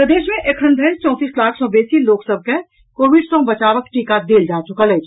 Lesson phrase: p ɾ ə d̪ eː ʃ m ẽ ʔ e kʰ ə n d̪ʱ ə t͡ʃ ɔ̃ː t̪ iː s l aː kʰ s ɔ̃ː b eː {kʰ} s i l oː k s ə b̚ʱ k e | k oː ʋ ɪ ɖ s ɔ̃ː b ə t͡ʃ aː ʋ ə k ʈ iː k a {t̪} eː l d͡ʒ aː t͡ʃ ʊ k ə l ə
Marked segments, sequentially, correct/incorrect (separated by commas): incorrect, incorrect